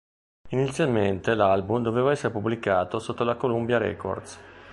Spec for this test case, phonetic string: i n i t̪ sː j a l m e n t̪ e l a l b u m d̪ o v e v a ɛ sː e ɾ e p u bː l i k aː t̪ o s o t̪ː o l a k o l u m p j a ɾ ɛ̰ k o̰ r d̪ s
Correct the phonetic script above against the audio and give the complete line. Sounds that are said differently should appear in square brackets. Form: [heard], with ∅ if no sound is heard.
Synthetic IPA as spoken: i n i t̪ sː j a l m e n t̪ e l a l b u m d̪ o v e v a ɛ sː e ɾ e p u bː l i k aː t̪ o s o t̪ː o l a k o l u m [b] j a ɾ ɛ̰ k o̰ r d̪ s